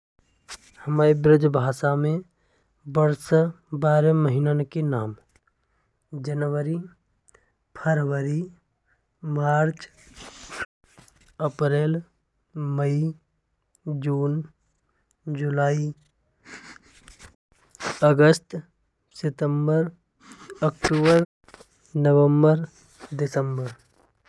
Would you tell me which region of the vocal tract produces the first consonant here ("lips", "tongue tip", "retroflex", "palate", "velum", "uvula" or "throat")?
throat